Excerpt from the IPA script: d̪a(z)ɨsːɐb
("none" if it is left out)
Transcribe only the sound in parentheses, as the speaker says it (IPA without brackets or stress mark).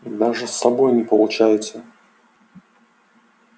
ʐ